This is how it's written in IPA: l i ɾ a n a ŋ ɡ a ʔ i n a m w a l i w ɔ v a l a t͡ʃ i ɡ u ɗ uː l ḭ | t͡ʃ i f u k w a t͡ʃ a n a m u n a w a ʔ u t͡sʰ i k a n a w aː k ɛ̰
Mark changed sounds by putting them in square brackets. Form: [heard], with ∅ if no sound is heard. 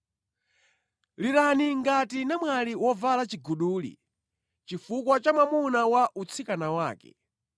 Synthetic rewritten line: l i ɾ a n [i] ŋ ɡ a [t] i n a m w a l i w ɔ v a l a t͡ʃ i ɡ u ɗ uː l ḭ | t͡ʃ i f u k w a t͡ʃ a [m] a m u n a w a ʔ u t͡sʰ i k a n a w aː k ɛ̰